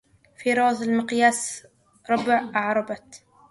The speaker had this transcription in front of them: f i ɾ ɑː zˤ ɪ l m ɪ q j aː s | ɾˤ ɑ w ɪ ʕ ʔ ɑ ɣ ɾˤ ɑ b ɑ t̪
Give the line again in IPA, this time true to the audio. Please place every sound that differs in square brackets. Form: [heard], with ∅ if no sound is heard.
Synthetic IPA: f i ɾ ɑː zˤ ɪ l m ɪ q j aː s | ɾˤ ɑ [b] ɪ ʕ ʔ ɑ [ʕ] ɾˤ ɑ b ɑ t̪